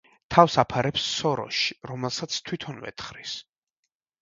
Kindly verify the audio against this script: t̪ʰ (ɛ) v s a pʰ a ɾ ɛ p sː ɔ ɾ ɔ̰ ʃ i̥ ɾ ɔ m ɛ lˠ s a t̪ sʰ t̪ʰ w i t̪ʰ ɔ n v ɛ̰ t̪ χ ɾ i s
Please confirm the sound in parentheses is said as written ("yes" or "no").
no